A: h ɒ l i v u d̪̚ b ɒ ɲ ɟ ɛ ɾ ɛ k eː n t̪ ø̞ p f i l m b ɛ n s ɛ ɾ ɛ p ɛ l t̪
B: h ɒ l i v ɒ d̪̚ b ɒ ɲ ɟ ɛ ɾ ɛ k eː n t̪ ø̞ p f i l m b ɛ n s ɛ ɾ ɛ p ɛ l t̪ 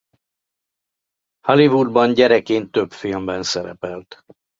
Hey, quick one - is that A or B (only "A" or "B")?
A